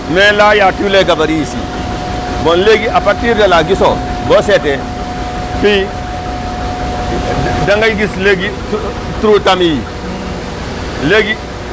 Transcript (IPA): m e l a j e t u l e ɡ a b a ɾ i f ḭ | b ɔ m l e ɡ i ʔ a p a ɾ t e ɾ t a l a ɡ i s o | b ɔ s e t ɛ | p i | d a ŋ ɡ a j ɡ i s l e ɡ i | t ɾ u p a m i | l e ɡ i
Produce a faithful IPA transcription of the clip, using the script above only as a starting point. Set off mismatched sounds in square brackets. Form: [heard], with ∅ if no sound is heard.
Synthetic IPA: m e l a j [a] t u l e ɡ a b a ɾ i [s] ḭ | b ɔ [n] l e ɡ i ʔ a p a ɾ t [i] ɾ [d] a l a ɡ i s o | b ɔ s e t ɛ | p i | d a ŋ ɡ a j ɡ i s l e ɡ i | t ɾ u [t] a m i | l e ɡ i